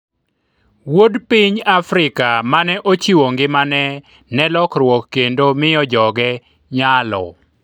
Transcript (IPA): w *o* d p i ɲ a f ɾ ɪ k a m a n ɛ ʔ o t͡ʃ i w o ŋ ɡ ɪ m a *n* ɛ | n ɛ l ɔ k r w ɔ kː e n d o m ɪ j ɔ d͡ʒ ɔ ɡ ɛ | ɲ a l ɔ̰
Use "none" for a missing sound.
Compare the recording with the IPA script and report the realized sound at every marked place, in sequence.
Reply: o, n

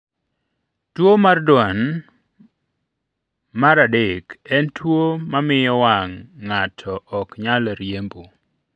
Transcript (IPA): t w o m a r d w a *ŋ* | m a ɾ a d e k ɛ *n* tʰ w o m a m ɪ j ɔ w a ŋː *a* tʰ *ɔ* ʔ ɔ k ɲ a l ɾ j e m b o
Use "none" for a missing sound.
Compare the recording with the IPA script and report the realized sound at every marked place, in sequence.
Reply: n, n, a, ɔ

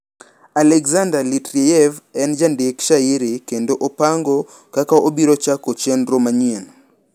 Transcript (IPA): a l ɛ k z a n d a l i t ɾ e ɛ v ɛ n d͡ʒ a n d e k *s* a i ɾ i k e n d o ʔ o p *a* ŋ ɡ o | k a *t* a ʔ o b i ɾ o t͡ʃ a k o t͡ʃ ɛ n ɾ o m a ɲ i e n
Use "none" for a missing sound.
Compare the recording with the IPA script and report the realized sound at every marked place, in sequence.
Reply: ʃ, a, k

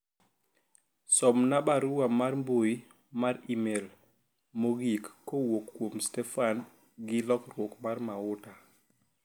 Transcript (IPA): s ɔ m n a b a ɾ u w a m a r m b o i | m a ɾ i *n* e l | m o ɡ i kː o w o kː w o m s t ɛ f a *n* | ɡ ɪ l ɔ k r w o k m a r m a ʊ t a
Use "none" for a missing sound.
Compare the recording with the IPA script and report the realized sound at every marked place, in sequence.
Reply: m, n

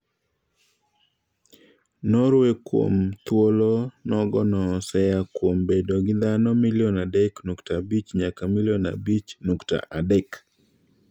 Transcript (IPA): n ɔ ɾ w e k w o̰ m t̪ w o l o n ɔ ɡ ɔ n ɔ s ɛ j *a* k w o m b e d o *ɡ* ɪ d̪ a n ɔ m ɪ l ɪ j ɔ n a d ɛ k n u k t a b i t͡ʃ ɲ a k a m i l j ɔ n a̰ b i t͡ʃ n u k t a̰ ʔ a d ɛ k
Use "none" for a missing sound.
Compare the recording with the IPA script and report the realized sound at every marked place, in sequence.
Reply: a, ɡ

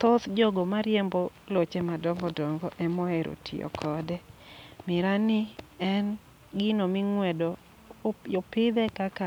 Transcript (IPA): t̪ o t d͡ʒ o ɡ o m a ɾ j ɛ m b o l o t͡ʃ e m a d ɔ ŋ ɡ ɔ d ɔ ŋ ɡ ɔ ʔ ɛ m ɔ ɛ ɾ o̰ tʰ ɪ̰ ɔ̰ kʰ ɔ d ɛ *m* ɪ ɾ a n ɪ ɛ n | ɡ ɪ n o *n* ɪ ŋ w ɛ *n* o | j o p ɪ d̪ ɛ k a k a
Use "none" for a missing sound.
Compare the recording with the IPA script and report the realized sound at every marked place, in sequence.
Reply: m, m, d

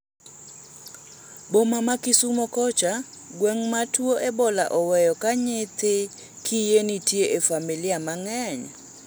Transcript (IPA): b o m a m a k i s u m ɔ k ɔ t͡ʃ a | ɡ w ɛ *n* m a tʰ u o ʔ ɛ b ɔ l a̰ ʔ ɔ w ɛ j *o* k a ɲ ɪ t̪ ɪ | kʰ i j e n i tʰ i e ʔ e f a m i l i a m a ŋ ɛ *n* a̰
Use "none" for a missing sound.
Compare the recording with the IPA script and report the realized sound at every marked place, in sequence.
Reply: ŋ, ɔ, ɲ

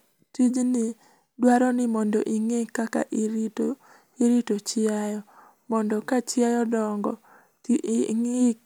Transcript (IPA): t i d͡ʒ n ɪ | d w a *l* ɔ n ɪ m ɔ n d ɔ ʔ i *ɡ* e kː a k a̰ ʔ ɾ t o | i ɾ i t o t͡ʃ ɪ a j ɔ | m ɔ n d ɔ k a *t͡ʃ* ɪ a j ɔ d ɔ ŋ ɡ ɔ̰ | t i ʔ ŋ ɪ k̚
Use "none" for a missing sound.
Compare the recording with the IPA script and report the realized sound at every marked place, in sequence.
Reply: ɾ, ŋ, t͡ʃ

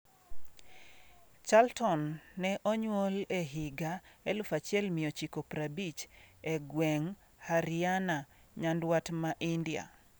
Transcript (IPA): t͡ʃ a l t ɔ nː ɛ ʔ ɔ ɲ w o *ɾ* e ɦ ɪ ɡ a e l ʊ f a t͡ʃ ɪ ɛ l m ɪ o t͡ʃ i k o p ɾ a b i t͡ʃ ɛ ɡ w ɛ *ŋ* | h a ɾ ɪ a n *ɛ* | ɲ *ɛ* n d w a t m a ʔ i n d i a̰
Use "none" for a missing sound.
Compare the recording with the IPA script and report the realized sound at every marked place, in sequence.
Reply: l, ŋ, a, a

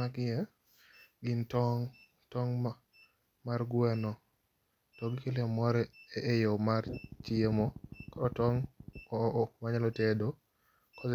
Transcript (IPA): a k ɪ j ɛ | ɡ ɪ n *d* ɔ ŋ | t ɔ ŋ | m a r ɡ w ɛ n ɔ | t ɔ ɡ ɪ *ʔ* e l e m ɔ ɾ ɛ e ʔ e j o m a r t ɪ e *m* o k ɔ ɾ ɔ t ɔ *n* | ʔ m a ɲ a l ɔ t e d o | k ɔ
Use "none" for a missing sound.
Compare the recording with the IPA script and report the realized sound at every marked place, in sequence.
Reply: t, k, m, ŋ

